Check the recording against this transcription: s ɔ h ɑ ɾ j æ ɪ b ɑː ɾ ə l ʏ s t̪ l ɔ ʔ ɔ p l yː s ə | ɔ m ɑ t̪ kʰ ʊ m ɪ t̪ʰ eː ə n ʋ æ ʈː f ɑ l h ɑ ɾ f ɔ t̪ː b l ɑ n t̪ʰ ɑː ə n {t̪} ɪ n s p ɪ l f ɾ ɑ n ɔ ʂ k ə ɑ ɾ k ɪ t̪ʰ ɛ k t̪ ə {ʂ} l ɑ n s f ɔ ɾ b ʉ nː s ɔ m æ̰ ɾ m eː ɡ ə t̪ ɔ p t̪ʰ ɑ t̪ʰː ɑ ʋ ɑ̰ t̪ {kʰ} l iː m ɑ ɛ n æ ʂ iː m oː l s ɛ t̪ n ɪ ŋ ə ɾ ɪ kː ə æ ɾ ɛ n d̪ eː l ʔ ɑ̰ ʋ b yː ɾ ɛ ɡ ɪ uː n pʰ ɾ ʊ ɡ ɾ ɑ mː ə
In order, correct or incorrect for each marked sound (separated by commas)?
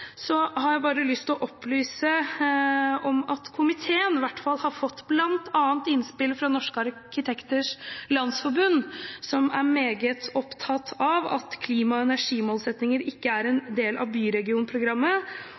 correct, correct, correct